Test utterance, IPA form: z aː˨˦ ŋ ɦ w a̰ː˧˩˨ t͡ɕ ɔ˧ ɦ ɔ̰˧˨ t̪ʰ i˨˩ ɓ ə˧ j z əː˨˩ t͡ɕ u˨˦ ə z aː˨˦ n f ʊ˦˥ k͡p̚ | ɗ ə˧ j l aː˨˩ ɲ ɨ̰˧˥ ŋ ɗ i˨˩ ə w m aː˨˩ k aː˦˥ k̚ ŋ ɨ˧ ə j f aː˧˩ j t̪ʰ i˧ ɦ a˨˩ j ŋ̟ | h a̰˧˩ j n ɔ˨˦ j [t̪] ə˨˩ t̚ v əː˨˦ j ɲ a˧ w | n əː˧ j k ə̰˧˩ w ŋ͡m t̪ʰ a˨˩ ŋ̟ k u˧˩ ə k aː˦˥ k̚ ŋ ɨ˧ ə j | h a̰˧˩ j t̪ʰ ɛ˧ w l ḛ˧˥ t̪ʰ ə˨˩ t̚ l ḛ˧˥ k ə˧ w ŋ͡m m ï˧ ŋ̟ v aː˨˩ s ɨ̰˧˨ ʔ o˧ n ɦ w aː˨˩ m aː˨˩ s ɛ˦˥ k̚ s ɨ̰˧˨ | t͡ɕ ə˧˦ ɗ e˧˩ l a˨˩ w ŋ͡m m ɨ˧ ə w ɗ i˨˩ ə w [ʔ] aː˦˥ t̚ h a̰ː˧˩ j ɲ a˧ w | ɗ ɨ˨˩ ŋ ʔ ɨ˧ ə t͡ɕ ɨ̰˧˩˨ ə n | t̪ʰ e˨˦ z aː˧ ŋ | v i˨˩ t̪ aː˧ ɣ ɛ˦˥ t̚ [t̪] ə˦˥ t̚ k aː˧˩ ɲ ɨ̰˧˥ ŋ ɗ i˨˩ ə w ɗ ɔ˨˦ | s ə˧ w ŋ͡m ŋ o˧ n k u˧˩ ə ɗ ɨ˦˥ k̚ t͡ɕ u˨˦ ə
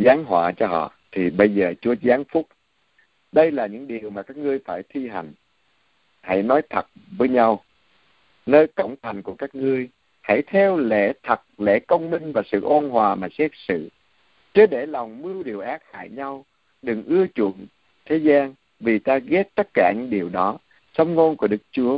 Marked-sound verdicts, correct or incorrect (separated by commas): incorrect, correct, correct